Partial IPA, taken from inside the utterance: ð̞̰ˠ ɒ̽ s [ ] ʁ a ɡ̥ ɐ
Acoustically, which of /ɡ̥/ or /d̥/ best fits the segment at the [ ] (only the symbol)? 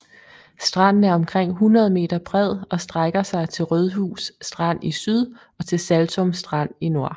d̥